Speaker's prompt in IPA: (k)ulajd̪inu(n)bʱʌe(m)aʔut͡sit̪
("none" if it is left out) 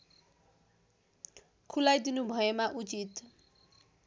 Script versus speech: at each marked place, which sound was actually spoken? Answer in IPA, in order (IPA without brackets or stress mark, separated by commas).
kʰ, none, m